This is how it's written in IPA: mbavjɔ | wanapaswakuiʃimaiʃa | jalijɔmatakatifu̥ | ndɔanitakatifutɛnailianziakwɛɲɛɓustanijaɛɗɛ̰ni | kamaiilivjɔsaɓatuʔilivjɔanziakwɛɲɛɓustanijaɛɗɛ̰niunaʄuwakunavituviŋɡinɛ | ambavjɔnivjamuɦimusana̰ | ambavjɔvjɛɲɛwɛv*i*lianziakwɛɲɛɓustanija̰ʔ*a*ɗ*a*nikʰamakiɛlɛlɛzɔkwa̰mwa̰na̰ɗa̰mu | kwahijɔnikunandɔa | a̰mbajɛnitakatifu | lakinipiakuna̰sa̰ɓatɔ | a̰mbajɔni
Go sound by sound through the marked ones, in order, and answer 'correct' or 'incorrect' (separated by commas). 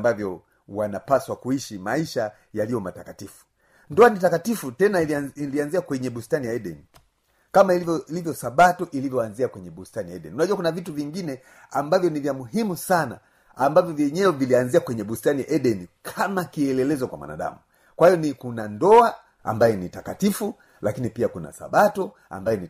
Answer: correct, incorrect, incorrect